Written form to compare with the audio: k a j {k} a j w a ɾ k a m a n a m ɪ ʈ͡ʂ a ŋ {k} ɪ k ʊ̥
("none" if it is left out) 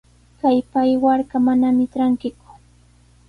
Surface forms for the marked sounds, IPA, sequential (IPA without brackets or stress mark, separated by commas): p, k